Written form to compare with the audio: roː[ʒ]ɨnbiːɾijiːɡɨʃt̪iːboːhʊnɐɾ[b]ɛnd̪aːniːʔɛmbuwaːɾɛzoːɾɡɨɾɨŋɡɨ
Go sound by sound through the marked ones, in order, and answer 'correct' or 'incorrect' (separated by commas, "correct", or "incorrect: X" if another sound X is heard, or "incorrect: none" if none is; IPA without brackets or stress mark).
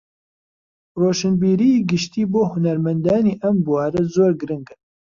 incorrect: ʃ, incorrect: m